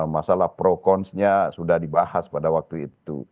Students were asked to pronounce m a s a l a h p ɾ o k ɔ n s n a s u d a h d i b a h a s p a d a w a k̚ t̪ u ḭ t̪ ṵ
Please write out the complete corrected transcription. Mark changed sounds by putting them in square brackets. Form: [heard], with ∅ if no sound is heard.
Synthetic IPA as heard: m a s a l a h p ɾ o k ɔ n s [ɲ] a s u d a h d i b a h a s p a d a w a k̚ t̪ u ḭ t̪ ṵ